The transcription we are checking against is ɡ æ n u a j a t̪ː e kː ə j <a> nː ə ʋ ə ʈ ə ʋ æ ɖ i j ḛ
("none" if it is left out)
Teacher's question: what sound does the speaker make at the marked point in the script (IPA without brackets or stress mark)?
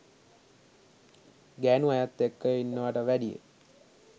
i